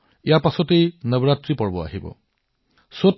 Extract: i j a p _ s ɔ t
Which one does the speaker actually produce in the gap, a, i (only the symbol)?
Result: a